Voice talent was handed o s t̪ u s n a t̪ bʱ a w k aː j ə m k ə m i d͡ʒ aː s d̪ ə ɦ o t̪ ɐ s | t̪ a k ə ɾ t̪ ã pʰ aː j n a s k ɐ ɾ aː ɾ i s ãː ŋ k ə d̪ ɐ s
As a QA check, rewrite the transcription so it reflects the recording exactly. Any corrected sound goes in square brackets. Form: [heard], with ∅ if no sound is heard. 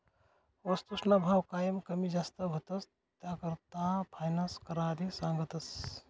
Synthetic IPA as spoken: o s t̪ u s n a [∅] bʱ a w k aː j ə m k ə m i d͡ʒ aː s [t̪] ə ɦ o t̪ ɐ s | t̪ a k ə ɾ t̪ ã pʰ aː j n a s k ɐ ɾ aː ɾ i s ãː ŋ [ɡ] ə [t̪] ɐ s